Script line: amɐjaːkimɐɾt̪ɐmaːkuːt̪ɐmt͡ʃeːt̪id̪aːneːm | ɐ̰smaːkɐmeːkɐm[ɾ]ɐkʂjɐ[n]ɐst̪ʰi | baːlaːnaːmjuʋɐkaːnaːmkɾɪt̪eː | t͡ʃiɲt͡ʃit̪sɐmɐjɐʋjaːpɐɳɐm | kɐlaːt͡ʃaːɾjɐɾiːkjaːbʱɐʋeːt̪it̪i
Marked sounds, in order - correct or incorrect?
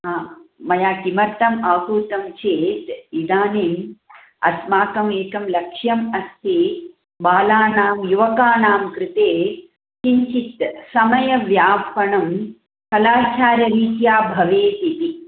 incorrect, incorrect

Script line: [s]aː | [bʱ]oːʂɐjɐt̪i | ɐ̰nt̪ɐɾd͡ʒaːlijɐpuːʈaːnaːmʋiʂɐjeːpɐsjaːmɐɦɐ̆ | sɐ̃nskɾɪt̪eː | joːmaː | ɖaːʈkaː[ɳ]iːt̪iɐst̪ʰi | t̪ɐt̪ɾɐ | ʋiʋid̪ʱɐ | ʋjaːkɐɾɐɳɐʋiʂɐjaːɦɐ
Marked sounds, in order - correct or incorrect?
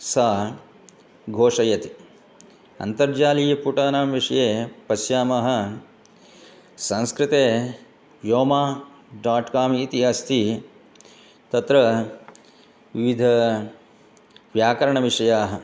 correct, incorrect, incorrect

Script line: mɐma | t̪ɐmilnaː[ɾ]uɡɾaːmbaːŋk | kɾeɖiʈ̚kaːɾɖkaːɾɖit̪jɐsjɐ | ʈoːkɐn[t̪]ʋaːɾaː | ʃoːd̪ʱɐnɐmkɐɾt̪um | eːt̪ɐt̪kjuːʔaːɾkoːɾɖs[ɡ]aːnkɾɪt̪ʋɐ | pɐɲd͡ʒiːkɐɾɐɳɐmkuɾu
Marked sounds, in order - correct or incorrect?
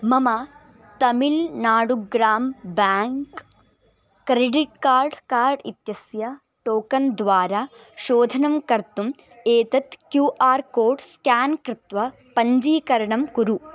incorrect, incorrect, incorrect

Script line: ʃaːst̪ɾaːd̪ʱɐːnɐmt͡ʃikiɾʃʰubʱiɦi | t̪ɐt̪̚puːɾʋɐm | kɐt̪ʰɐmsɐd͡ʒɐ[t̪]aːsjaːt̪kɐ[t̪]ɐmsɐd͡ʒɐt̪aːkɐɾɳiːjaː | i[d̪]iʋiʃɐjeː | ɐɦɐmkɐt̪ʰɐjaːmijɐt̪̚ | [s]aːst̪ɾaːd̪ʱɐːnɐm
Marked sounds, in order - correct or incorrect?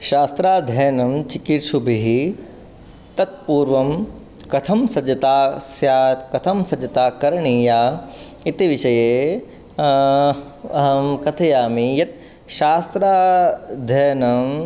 correct, incorrect, incorrect, incorrect

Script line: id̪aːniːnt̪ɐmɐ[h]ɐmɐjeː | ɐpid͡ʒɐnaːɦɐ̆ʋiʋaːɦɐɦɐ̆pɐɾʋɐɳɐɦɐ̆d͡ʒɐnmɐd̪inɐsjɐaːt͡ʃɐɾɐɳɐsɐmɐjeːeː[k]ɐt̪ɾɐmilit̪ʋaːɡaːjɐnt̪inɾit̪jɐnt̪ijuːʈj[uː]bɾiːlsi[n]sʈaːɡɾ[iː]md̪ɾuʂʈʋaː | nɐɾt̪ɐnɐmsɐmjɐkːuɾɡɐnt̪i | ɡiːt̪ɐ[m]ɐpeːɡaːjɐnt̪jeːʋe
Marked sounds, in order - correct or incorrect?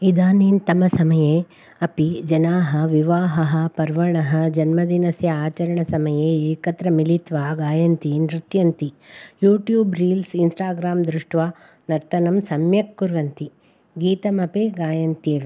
incorrect, correct, correct, correct, incorrect, correct

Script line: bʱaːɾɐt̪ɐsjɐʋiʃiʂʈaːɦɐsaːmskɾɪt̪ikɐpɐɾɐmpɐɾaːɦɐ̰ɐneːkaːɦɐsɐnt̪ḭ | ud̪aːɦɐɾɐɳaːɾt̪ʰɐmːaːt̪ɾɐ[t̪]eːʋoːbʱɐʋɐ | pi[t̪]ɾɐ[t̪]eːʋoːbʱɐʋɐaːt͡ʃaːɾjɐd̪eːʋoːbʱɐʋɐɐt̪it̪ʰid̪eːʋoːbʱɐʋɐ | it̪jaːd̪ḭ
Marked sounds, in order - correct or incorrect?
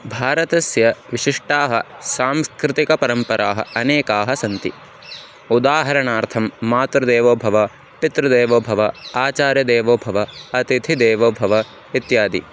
incorrect, correct, incorrect

